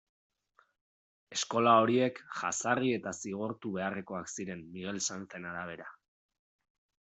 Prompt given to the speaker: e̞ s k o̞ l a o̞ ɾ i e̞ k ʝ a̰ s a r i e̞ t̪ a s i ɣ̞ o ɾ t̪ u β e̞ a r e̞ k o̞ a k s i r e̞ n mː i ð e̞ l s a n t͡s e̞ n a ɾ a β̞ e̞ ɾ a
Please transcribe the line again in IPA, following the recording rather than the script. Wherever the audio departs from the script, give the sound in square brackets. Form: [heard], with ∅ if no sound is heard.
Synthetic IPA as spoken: e̞ s k o̞ l a o̞ ɾ i e̞ k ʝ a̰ s a r i e̞ t̪ a s i ɣ̞ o ɾ t̪ u β e̞ a r e̞ k o̞ a k s i [ɾ] e̞ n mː i [ɣ] e̞ l s a n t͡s e̞ n a ɾ a β̞ e̞ ɾ a